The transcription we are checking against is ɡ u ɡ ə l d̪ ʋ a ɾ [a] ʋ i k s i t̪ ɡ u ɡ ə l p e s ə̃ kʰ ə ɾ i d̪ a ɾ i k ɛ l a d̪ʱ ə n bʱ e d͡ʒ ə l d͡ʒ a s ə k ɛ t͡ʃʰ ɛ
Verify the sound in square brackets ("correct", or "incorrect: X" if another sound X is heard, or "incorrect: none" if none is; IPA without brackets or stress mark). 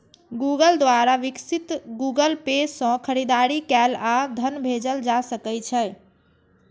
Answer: correct